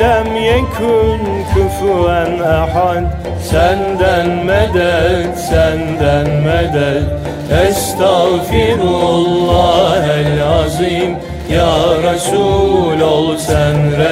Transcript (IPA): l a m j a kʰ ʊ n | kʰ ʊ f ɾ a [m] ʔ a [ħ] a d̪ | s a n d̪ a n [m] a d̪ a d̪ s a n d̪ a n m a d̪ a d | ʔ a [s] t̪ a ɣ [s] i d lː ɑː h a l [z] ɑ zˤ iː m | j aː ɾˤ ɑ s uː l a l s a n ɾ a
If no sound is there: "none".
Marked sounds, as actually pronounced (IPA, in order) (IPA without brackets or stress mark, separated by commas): n, ħ, m, s, f, ʕ